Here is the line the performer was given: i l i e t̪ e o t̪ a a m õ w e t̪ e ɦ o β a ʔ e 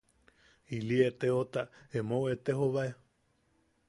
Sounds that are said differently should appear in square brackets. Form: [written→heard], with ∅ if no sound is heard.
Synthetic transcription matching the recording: i l i e t̪ e o t̪ a [a→e] m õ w e t̪ e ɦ o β a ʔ e